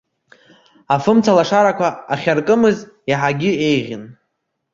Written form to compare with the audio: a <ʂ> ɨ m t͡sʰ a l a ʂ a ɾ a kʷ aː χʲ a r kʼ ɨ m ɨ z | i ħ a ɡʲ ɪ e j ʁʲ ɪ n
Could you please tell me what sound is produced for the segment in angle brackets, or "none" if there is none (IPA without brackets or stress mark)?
f